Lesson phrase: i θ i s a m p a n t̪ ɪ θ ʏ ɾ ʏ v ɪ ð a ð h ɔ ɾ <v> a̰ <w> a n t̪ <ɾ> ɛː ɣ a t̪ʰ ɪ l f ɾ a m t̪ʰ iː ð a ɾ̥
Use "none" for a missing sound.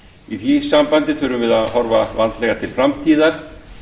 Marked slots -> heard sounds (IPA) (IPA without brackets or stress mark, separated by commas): v, v, l